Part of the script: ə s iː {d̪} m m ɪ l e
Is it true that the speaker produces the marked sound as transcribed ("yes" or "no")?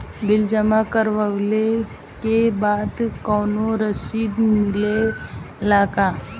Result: yes